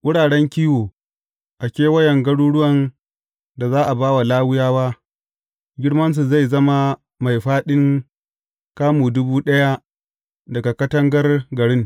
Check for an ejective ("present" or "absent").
absent